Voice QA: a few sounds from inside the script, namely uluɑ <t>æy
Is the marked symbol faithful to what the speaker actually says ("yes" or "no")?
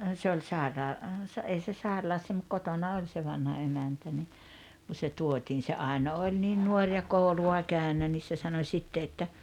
no